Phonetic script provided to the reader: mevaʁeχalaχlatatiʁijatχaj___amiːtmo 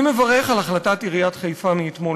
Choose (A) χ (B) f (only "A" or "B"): B